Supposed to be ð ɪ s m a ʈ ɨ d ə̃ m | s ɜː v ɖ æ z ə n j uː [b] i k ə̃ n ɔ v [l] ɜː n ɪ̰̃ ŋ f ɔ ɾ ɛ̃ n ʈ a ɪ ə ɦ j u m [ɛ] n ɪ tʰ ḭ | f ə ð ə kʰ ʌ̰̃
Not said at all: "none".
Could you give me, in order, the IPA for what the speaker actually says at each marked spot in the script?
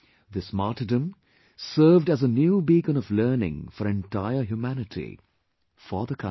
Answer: b, l, æ

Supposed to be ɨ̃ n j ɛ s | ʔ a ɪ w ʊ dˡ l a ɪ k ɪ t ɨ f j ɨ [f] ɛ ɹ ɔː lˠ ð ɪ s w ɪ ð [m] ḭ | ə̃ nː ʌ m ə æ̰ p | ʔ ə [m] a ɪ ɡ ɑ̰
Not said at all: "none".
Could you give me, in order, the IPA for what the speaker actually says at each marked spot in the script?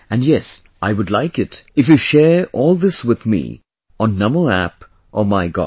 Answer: ʃ, m, m

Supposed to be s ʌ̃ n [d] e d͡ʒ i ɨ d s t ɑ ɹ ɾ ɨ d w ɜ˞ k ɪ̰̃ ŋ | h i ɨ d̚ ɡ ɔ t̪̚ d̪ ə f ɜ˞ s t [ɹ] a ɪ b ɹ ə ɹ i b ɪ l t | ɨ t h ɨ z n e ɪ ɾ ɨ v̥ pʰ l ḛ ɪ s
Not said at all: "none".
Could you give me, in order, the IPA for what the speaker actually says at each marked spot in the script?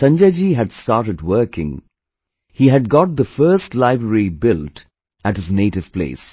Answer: d͡ʒ, l

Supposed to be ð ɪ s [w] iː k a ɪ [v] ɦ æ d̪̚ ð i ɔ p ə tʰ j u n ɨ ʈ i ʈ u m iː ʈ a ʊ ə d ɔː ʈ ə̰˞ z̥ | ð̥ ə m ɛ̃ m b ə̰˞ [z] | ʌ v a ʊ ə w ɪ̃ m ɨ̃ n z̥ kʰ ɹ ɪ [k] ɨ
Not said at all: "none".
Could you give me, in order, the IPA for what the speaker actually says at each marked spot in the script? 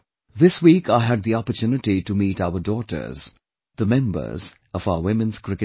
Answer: w, none, z, k

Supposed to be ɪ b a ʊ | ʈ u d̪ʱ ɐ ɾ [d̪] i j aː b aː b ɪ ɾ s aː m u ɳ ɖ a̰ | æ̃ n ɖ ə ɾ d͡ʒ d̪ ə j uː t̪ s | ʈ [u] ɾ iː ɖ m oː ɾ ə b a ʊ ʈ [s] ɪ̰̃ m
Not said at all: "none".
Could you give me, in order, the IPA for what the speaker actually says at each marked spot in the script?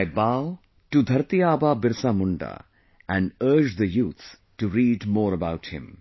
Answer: t̪, u, h

